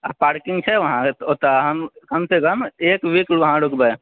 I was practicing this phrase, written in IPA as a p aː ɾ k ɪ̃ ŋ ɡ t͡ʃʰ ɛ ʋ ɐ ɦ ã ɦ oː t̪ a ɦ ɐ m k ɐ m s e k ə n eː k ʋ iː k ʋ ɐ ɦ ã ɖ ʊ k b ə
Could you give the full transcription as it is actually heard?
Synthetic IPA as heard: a p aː ɾ k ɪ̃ ŋ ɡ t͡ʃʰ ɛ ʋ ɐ ɦ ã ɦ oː t̪ a ɦ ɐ m k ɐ m s e k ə m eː k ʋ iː k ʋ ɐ ɦ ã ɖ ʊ k b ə

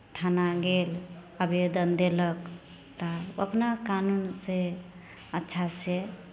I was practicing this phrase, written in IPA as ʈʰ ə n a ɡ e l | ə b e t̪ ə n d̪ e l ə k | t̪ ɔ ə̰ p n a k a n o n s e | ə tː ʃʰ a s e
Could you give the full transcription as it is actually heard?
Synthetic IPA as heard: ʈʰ a n a ɡ e l | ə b e d̪ ə n d̪ e l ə k | t̪ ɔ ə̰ p n a k a n u n s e | ə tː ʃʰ a s e

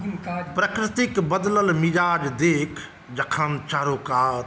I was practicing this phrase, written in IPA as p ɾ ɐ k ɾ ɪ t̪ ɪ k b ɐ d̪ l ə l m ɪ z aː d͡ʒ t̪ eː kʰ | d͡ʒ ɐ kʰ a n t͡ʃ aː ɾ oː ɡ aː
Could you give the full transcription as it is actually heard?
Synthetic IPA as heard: p ɾ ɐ k ɾ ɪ t̪ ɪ k b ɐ d̪ l ə l m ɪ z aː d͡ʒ d̪ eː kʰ | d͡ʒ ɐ kʰ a n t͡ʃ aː ɾ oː k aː

